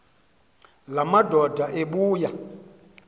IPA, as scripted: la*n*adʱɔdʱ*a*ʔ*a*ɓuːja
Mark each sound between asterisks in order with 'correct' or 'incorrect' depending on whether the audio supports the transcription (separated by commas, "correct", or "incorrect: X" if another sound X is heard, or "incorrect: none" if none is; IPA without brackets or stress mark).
incorrect: m, correct, incorrect: e